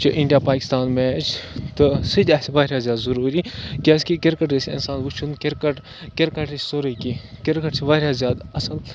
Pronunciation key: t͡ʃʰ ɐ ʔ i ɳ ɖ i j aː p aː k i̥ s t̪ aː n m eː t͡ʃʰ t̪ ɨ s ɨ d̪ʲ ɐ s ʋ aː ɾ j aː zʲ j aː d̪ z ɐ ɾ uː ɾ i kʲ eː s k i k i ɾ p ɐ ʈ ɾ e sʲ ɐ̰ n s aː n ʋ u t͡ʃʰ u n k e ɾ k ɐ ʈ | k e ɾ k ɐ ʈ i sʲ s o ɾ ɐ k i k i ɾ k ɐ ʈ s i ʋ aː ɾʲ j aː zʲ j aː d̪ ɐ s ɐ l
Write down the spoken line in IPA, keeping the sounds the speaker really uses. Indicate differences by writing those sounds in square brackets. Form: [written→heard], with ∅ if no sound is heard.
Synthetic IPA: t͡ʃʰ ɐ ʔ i ɳ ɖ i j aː p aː k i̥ s t̪ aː n m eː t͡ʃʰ t̪ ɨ s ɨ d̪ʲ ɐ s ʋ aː ɾ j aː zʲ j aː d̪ z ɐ ɾ uː ɾ i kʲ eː s k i k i ɾ [p→k] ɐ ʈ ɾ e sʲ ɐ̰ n s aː n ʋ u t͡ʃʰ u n k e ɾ k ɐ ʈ | k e ɾ k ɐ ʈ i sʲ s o ɾ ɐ k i k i ɾ k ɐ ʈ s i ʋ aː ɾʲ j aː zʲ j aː d̪ ɐ s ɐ l